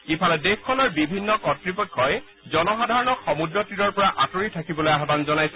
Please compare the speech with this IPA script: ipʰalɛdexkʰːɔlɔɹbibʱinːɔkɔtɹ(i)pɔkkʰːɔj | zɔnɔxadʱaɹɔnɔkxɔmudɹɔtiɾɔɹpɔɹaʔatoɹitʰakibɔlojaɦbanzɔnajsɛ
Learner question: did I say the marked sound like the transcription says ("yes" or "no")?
yes